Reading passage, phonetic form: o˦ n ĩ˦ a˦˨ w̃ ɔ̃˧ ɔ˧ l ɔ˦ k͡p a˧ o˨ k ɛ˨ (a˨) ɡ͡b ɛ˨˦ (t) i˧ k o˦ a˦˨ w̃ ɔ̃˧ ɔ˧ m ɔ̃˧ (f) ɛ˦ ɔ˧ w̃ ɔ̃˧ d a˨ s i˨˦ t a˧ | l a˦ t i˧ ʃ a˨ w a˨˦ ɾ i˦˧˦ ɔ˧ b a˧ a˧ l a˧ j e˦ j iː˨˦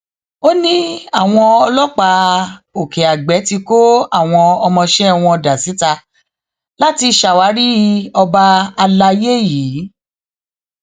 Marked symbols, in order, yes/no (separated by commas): yes, yes, no